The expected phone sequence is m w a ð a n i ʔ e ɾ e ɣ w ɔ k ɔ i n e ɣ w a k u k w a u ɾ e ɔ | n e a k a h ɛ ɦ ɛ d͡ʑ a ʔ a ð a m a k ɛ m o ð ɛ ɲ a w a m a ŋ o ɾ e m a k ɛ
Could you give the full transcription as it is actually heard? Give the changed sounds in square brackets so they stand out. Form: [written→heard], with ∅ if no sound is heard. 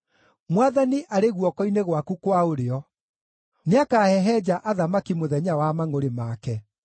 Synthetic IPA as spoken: m w a ð a n i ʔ [e→a] ɾ e ɣ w ɔ k ɔ i n e ɣ w a k u k w a [u→o] ɾ e ɔ | n e a k a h ɛ ɦ ɛ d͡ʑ a ʔ a ð a m a k [ɛ→i] m o ð ɛ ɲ a w a m a ŋ o ɾ e m a k ɛ

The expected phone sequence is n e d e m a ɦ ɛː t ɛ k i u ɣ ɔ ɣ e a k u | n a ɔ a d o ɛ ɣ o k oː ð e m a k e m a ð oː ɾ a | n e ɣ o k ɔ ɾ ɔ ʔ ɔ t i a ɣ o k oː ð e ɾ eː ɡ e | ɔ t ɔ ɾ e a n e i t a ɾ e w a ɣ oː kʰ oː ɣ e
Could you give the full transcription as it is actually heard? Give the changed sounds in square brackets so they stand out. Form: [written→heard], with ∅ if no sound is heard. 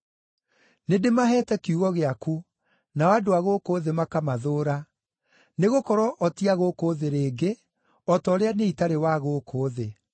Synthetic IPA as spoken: n e d e m a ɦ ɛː t ɛ k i u ɣ ɔ ɣ e a k u | n a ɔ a d o [ɛ→a] ɣ o k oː ð e m a k [e→a] m a ð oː ɾ a | n e ɣ o k ɔ ɾ ɔ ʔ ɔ t i a ɣ o k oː ð e ɾ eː ɡ e | ɔ t ɔ ɾ e a n e i t a ɾ e w a ɣ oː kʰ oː [ɣ→ð] e

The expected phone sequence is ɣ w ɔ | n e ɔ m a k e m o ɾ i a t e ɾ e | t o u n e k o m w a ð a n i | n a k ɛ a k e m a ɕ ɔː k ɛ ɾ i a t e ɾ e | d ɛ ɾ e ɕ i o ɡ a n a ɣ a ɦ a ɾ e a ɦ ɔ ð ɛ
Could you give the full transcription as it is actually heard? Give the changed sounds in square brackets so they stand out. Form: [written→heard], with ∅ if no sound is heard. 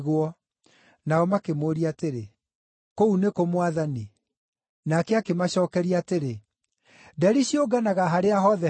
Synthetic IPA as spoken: ɣ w ɔ | n [e→a] ɔ m a k e m o ɾ i a t e ɾ e | [t→k] o u n e k o m w a ð a n i | n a k ɛ a k e m a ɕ ɔː k ɛ ɾ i a t e ɾ e | d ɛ ɾ [e→i] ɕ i o ɡ a n a ɣ a ɦ a ɾ e a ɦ ɔ ð ɛ

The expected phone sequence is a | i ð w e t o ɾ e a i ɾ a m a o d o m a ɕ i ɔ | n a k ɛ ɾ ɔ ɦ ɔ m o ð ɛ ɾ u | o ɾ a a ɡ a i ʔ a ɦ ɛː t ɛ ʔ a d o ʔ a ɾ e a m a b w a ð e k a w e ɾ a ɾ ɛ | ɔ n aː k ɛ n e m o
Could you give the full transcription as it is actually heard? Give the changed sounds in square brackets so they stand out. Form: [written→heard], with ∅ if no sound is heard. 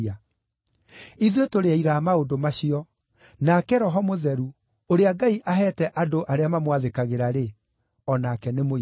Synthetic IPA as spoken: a | i ð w e t o ɾ e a i ɾ a m a o d o m a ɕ i ɔ | n a k ɛ ɾ ɔ ɦ ɔ m o ð ɛ ɾ u | o ɾ [a→e] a ɡ a i ʔ a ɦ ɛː t ɛ ʔ a d o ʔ a ɾ e a m a [b→m] w a ð e k a [w→ɣ] e ɾ a ɾ [ɛ→e] | ɔ n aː k ɛ n e m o

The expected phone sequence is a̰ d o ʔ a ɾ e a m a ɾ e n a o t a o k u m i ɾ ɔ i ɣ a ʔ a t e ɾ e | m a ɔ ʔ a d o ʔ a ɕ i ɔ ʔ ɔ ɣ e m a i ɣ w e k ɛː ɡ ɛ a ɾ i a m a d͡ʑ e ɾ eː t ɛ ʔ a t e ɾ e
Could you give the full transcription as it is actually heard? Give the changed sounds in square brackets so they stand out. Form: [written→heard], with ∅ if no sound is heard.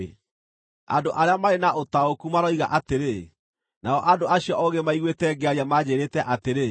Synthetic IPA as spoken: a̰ d o ʔ a ɾ e a m a ɾ e n a o t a o k u m [i→a] ɾ ɔ i ɣ a ʔ a t e ɾ e | [m→n] a ɔ ʔ a d o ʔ a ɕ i ɔ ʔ ɔ ɣ e m a i ɣ w e [k→t] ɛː ɡ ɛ a ɾ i a m a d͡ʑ e ɾ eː t ɛ ʔ a t e ɾ e

